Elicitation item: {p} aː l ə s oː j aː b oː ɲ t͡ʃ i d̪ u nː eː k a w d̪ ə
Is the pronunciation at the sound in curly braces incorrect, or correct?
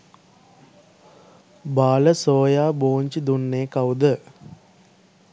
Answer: incorrect